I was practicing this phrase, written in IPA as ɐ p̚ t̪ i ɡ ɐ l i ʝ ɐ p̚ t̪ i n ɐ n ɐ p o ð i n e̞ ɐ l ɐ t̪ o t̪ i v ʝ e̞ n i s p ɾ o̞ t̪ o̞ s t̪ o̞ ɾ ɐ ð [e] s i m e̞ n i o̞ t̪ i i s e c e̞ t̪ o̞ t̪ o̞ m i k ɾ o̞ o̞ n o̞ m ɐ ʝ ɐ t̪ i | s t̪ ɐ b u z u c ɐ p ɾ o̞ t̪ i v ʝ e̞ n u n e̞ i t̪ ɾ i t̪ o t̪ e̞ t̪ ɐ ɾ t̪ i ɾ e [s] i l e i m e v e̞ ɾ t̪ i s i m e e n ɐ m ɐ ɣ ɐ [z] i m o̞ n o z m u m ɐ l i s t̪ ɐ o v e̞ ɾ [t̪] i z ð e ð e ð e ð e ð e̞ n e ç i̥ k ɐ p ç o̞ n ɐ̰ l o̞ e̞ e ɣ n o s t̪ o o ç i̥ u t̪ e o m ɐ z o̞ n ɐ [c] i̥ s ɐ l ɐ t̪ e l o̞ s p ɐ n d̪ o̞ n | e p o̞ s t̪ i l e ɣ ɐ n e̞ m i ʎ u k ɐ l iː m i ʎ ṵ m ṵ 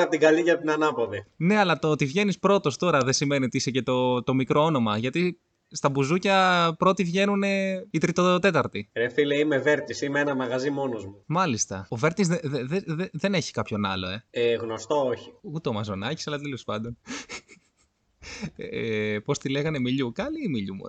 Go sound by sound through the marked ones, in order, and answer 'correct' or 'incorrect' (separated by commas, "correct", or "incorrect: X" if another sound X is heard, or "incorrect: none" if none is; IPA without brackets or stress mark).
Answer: correct, incorrect: f, correct, correct, correct